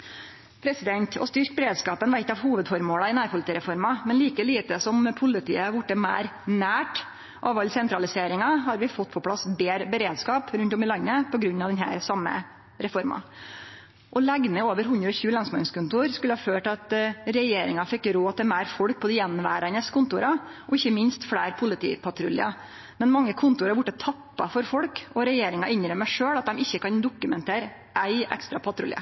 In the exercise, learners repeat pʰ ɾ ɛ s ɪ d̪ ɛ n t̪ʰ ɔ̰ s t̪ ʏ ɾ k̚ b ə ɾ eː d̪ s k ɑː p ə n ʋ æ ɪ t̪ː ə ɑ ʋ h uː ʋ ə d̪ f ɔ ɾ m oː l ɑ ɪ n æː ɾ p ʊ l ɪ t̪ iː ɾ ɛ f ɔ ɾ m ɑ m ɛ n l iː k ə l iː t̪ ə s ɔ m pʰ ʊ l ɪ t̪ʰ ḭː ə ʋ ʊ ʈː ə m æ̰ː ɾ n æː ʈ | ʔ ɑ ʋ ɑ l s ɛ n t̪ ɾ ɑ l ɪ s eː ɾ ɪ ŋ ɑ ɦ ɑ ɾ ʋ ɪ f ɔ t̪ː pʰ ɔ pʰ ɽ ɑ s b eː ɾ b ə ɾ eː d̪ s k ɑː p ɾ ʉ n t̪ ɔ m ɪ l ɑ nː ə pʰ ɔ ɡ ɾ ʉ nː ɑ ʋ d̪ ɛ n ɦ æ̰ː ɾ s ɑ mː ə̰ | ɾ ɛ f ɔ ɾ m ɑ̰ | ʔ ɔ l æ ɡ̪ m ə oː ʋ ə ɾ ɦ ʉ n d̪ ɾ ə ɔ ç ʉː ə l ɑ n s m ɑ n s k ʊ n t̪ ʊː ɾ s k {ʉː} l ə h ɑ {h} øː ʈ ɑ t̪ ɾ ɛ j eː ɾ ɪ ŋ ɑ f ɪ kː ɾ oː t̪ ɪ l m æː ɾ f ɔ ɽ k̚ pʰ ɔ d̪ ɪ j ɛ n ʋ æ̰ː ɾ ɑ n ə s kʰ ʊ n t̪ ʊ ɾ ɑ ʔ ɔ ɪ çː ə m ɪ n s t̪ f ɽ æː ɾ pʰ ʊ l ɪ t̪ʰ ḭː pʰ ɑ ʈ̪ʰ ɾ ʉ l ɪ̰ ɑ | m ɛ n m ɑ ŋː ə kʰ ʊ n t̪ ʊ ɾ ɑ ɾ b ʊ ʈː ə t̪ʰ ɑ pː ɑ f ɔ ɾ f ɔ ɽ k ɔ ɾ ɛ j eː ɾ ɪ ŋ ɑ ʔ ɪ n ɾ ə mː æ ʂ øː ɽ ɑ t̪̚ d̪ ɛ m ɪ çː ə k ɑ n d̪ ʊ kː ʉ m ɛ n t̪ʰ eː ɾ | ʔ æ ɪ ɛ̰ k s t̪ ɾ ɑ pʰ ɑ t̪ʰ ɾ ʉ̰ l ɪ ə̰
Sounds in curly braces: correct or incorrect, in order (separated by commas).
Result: incorrect, incorrect